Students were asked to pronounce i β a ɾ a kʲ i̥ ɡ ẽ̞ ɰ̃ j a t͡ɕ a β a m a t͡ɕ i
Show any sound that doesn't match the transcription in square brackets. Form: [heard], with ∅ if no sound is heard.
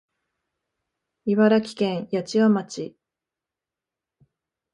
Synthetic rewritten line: i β a ɾ a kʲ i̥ [k] ẽ̞ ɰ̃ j a t͡ɕ [i] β a m a t͡ɕ i

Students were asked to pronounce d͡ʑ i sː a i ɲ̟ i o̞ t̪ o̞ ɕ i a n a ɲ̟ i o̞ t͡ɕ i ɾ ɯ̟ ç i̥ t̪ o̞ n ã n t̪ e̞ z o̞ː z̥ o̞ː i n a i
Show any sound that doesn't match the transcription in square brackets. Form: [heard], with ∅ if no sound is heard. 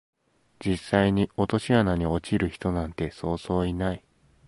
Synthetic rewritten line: d͡ʑ i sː a i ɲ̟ i o̞ t̪ o̞ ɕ i a n a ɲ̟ i o̞ t͡ɕ i ɾ ɯ̟ ç i̥ t̪ o̞ n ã n t̪ e̞ [s] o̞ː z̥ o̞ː i n a i

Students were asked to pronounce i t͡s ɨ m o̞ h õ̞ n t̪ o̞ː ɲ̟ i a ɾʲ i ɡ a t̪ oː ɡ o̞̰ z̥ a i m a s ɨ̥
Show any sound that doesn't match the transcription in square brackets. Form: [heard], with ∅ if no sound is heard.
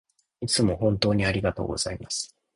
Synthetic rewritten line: i t͡s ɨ m o̞ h õ̞ n t̪ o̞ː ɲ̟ i a ɾʲ i ɡ a t̪ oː ɡ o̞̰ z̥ a i m a s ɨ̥

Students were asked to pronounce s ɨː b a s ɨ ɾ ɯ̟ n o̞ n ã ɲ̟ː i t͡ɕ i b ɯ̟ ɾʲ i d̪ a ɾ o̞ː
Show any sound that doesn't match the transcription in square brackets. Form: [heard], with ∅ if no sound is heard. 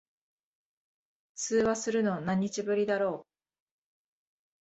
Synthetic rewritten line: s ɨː [β] a s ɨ ɾ ɯ̟ n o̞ n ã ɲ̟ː i t͡ɕ i b ɯ̟ ɾʲ i d̪ a ɾ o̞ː

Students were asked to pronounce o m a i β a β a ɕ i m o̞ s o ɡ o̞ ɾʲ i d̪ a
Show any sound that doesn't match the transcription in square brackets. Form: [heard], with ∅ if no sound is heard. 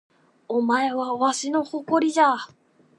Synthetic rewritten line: o m a [e] β a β a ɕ i [n] o̞ [h] o [k] o̞ ɾʲ i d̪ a

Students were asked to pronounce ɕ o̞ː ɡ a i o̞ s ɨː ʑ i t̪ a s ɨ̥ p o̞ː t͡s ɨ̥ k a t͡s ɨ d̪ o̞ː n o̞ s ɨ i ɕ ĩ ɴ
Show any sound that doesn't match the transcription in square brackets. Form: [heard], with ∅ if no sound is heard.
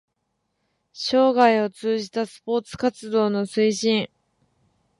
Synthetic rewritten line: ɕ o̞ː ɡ a i o̞ [t͡s] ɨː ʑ i t̪ a s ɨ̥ p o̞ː t͡s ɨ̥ k a t͡s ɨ d̪ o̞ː n o̞ s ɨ i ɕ ĩ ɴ

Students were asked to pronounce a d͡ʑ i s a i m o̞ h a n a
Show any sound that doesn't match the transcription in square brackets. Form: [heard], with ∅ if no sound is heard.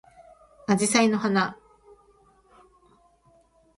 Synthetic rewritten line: a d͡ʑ i s a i [n] o̞ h a n a

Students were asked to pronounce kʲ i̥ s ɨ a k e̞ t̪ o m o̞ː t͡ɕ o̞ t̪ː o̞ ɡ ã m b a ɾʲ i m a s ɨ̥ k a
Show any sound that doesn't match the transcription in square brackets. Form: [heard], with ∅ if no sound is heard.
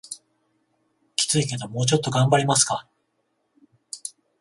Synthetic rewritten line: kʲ i̥ [t͡s] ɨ [i] k e̞ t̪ o m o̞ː t͡ɕ o̞ t̪ː o̞ ɡ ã m b a ɾʲ i m a s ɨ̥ k a

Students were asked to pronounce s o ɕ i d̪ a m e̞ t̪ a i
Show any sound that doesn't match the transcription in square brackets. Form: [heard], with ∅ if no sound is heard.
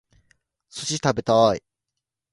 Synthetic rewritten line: s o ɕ i [t̪] a [b] e̞ t̪ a i

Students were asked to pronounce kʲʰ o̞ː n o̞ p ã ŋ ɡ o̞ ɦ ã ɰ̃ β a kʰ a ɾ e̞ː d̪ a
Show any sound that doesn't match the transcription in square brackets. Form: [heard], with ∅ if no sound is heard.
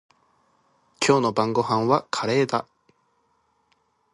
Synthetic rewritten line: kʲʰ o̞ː n o̞ [b] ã ŋ ɡ o̞ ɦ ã ɰ̃ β a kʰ a ɾ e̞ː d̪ a

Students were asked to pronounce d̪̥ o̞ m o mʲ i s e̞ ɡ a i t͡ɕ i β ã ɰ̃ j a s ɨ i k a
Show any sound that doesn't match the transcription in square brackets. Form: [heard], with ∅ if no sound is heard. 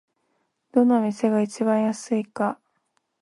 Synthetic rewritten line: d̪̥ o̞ [n] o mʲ i s e̞ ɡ a i t͡ɕ i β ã ɰ̃ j a s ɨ i k a

